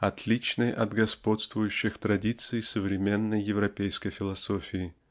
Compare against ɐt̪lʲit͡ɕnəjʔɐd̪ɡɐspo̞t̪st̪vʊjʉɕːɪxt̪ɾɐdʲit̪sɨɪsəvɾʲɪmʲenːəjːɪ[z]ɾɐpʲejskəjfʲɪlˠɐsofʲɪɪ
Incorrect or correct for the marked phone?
incorrect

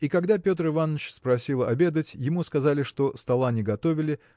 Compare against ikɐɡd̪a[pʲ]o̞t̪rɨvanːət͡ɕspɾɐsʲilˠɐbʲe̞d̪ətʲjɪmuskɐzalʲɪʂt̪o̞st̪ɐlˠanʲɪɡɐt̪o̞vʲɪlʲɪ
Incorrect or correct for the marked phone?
correct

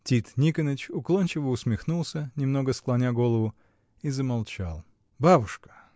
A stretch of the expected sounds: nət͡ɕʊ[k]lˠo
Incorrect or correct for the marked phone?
correct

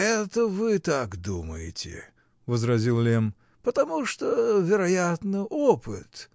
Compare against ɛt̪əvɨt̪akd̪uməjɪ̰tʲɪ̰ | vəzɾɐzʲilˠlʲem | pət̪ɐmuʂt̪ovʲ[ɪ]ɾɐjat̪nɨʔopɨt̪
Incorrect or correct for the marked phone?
correct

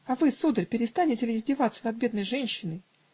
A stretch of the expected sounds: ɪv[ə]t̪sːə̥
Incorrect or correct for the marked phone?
incorrect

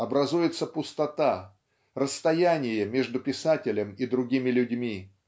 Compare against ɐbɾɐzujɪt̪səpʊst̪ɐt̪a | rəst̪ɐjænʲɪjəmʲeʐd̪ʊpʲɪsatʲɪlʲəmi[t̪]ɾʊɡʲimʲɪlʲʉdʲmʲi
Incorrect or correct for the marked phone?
incorrect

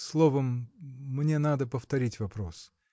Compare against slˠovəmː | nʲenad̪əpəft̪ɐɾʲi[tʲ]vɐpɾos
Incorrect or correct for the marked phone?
correct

